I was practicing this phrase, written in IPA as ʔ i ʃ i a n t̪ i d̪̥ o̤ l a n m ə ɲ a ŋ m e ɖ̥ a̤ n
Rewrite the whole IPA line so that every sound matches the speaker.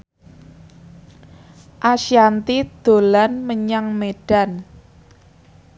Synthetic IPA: ʔ a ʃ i a n t̪ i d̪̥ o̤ l a n m ə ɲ a ŋ m e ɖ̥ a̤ n